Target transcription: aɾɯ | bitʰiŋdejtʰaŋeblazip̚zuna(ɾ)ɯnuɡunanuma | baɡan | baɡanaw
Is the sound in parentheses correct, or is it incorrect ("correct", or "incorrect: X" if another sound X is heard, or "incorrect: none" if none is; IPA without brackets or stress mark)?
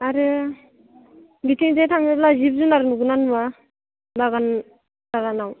correct